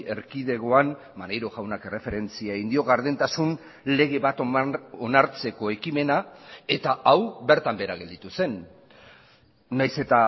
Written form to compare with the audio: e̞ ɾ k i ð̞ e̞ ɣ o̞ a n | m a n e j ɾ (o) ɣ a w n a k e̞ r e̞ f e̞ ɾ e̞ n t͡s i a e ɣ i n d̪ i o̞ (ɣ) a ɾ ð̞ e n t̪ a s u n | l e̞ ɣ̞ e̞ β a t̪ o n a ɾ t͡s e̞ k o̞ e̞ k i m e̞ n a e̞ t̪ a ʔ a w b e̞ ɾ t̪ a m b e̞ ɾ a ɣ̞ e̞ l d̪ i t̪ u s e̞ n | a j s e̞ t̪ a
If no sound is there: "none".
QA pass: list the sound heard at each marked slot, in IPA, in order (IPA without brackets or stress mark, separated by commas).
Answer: o, ɣ